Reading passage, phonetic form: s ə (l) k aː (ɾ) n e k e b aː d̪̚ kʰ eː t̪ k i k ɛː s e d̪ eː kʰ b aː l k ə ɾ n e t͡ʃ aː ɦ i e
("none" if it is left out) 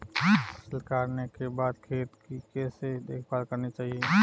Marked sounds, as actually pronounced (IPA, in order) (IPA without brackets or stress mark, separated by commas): l, ɾ